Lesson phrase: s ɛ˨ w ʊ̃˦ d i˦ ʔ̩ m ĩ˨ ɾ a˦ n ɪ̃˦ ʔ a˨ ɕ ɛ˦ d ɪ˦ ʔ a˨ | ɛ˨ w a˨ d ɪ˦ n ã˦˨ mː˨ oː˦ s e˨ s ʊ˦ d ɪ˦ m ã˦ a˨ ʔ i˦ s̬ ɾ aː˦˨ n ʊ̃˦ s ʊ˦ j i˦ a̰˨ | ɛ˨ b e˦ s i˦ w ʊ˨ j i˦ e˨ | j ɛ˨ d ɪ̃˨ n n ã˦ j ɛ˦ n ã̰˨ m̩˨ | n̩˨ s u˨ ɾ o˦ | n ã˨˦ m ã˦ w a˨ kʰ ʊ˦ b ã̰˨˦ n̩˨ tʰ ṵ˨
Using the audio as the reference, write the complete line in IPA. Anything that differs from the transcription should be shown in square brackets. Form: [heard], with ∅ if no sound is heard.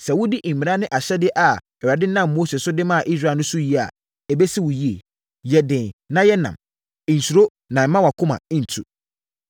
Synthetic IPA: s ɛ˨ w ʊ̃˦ d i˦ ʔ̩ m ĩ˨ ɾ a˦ n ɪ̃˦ ʔ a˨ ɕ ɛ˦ d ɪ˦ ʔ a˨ | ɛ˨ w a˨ d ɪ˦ n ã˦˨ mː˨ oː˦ s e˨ s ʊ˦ d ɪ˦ m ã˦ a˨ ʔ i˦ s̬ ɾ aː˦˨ n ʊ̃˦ s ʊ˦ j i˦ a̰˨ | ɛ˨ b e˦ s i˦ w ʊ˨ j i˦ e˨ | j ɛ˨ d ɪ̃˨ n n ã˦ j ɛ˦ n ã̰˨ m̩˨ | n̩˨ s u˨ ɾ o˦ | n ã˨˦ m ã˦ w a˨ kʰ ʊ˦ [m] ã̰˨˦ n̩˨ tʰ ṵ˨